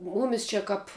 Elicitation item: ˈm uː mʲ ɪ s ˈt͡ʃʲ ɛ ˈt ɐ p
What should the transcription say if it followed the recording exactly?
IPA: ˈm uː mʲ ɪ s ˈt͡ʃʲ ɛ ˈk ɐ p